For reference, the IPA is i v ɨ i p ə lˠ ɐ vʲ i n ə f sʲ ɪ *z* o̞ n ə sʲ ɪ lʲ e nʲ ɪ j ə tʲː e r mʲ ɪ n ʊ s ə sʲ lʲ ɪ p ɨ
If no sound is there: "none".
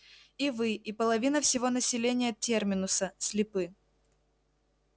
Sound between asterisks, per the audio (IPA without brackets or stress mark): v